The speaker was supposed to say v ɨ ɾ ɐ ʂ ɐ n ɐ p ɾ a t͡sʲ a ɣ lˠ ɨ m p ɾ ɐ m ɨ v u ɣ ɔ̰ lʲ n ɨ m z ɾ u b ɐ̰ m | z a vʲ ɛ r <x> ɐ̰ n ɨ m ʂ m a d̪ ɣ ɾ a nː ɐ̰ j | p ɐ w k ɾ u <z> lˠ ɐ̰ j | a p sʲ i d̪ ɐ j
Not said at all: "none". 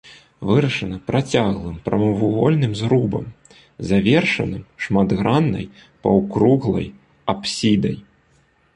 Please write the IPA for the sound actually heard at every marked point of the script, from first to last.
ʂ, ɣ

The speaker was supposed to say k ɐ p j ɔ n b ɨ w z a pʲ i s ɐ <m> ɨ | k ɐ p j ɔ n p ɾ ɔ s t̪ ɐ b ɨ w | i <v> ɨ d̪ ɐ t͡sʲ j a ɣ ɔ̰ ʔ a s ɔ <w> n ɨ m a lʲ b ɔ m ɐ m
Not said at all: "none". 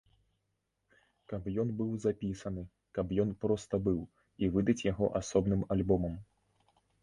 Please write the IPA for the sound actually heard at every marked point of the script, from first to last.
n, v, b

